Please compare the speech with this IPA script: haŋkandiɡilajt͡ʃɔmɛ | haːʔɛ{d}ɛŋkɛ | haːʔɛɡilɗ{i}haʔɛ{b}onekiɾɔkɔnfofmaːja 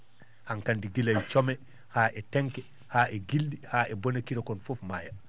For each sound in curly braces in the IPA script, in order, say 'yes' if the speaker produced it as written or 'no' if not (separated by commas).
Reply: no, yes, yes